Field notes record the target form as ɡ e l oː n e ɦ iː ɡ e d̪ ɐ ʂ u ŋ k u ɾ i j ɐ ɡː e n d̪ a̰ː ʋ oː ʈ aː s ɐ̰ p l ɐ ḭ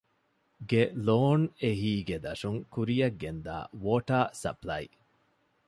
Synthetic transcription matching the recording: ɡ e l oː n e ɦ iː ɡ e d̪ ɐ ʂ u ŋ k u ɾ i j ɐ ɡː e n d̪ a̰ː ʋ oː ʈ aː s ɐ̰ p l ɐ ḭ